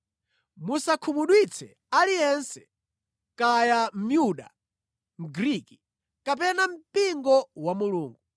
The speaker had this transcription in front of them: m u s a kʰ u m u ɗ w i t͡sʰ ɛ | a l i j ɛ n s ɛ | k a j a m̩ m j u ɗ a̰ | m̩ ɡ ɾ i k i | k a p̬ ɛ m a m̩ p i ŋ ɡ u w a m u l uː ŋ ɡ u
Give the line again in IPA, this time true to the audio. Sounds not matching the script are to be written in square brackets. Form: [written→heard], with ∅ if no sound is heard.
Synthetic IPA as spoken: m u s a kʰ u m u ɗ w i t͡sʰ ɛ | a l i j ɛ n s ɛ | k a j a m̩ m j u ɗ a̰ | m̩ ɡ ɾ i k i | k a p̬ ɛ [m→n] a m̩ p i ŋ ɡ [u→ɔ] w a m u l uː ŋ ɡ u